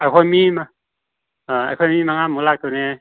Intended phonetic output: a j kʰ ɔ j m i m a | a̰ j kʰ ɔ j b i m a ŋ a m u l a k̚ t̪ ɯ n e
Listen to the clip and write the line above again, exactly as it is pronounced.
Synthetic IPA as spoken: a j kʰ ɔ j m i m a | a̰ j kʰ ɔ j m i m a ŋ a m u l a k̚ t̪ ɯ n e